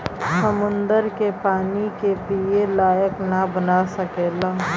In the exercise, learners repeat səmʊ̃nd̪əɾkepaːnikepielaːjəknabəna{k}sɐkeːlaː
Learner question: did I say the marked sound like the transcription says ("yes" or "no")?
no